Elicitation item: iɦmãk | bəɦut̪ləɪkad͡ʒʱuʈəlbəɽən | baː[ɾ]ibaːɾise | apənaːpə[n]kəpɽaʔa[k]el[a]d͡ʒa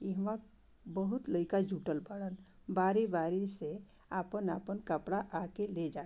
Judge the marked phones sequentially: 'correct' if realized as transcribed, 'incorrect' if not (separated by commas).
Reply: correct, correct, correct, incorrect